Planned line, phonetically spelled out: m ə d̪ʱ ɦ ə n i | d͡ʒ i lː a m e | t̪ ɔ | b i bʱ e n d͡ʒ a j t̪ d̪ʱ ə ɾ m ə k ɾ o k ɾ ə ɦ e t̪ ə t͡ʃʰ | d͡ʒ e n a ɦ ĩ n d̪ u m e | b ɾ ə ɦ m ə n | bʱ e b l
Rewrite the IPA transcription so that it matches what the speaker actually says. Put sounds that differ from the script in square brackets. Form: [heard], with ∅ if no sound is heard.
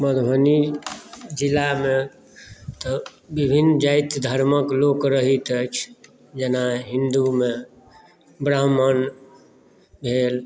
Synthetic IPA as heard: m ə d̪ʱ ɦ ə n i | d͡ʒ i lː a m e | t̪ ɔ | b i bʱ [i] n d͡ʒ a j t̪ d̪ʱ ə ɾ m ə k [l] o k ɾ ə ɦ [i] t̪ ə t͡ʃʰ | d͡ʒ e n a ɦ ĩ n d̪ u m e | b ɾ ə ɦ m ə n | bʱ e [∅] l

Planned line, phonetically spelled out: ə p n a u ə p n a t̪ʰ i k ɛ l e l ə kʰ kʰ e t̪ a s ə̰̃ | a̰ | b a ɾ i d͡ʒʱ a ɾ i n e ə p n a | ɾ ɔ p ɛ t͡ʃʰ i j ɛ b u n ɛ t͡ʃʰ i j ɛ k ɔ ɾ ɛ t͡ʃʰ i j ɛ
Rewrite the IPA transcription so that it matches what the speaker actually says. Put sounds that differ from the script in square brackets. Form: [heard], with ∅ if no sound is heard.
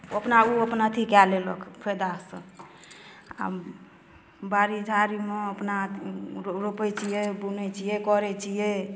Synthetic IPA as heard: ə p n a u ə p n a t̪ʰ i k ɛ l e l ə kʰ [pʰ] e [d̪] a s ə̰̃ | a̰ | b a ɾ i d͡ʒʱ a ɾ i [m] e ə p n a | ɾ [o] p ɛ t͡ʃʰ i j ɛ b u n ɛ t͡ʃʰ i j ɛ k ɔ ɾ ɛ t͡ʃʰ i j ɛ

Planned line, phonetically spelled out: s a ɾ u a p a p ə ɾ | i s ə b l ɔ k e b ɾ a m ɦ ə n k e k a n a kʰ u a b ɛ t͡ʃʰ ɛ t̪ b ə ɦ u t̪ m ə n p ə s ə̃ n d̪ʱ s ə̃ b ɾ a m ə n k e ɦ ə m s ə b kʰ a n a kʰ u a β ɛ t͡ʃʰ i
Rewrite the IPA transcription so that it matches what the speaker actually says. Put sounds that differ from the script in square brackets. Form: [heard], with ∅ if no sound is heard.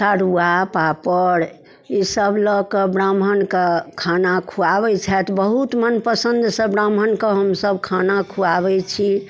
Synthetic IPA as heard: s a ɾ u a p a p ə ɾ | i s ə b l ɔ k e b ɾ a m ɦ ə n k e [kʰ] a n a kʰ u a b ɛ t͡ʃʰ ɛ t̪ b ə ɦ u t̪ m ə n p ə s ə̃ n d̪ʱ s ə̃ b ɾ a m ə n k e ɦ ə m s ə b kʰ a n a kʰ u a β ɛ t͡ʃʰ i

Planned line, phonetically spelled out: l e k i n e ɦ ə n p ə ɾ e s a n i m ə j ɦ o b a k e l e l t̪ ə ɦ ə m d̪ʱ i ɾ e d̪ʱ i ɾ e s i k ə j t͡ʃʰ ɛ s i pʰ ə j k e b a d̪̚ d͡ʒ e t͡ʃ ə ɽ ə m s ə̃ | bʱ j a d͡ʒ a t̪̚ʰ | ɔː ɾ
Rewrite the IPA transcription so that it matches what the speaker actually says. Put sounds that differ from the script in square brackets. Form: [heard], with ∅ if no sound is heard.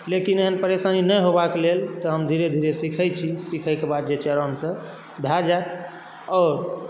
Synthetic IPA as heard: l e k i n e ɦ ə n p ə ɾ e s a n i [n] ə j ɦ o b a k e l e l t̪ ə ɦ ə m d̪ʱ i ɾ e d̪ʱ i ɾ e s i [kʰ] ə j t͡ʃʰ [i] s i [kʰ] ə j k e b a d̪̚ d͡ʒ e t͡ʃ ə [ɾ] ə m s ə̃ | bʱ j a d͡ʒ a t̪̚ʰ | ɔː ɾ

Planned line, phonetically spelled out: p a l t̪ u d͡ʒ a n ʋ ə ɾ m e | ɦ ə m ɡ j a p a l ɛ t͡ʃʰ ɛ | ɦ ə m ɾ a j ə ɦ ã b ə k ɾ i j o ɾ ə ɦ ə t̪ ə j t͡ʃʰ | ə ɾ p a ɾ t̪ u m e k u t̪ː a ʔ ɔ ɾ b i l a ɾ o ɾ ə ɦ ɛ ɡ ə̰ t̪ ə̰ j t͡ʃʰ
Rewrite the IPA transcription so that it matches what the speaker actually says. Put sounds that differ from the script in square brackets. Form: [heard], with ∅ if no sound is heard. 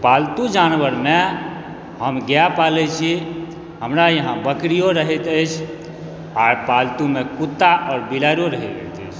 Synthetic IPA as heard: p a l t̪ u d͡ʒ a n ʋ ə ɾ m e | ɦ ə m ɡ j a p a l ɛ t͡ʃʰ [i] | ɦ ə m ɾ a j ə ɦ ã b ə k ɾ i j o ɾ ə ɦ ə t̪ ə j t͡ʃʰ | [a] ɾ p a [l] t̪ u m e k u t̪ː a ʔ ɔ ɾ b i l a ɾ o ɾ ə ɦ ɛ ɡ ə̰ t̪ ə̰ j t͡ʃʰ

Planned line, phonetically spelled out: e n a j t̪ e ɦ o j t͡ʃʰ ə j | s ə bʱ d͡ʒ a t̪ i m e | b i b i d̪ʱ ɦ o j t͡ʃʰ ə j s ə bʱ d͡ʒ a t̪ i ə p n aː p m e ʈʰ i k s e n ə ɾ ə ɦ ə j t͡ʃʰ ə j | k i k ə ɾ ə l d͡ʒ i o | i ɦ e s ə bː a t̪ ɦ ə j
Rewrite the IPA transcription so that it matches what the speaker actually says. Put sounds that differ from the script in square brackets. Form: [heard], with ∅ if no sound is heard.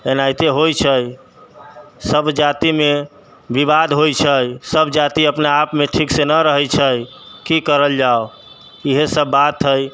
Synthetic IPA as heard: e n a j t̪ e ɦ o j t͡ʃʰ ə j | s ə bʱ d͡ʒ a t̪ i m e | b i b [a] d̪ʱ ɦ o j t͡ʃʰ ə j s ə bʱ d͡ʒ a t̪ i ə p n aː p m e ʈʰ i k s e n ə ɾ ə ɦ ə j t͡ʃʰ ə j | k i k ə ɾ ə l d͡ʒ [a] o | i ɦ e s ə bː a t̪ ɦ ə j

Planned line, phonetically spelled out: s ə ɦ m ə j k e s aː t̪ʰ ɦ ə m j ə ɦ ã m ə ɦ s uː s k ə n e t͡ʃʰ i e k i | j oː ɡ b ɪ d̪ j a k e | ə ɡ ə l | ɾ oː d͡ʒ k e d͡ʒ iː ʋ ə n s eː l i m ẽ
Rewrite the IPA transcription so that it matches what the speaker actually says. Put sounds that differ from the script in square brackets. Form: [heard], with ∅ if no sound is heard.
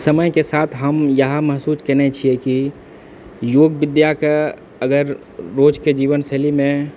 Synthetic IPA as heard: s ə [∅] m ə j k e s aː t̪ʰ ɦ ə m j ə ɦ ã m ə ɦ s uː s k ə n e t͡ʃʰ i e k i | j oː ɡ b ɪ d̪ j a k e | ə ɡ ə [ɾ] | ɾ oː d͡ʒ k e d͡ʒ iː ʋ ə n s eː l i m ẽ

